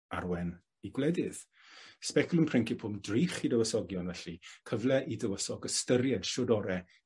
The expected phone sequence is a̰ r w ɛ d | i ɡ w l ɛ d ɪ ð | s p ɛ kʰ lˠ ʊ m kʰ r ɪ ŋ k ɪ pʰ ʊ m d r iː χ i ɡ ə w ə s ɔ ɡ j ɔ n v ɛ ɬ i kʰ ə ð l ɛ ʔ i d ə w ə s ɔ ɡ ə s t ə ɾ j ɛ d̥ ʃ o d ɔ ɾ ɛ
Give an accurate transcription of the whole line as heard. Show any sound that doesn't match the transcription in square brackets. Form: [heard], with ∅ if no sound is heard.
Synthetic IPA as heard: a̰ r w ɛ [n] | i ɡ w l ɛ d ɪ ð | s p ɛ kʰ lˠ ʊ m [pʰ] r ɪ ŋ k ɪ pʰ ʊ m d r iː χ i [d] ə w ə s ɔ ɡ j ɔ n v ɛ ɬ i kʰ ə [v] l ɛ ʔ i d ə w ə s ɔ ɡ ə s t ə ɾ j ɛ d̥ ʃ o d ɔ ɾ ɛ